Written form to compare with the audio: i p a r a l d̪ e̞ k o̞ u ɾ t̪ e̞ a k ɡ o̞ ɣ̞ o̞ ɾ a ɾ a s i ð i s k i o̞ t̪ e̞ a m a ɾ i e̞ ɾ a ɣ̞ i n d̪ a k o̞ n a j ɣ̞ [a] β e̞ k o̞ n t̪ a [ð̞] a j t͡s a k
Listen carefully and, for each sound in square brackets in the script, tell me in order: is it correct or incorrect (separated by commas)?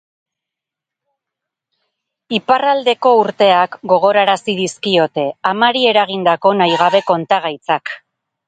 correct, incorrect